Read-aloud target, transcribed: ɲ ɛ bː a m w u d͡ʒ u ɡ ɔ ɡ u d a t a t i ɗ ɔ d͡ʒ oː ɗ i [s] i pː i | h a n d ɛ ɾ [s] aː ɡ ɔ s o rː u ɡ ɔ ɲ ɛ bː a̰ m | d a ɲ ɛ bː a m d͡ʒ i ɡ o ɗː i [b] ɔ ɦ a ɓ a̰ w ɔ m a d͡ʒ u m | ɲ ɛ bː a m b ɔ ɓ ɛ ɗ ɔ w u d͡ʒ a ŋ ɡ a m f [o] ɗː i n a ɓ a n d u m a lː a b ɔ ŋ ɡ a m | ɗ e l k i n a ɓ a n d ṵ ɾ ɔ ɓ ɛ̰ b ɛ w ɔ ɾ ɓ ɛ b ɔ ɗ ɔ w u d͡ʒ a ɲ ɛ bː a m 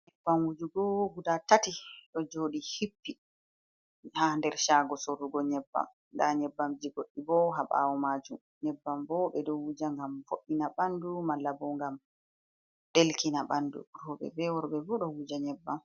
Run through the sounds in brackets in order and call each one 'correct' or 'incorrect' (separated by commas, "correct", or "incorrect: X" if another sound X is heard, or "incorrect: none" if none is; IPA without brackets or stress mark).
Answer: incorrect: h, incorrect: ʃ, correct, correct